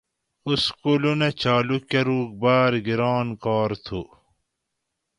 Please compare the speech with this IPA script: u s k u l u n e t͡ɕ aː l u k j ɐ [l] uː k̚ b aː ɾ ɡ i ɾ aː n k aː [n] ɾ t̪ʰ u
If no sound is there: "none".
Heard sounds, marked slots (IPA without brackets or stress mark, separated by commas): ɾ, none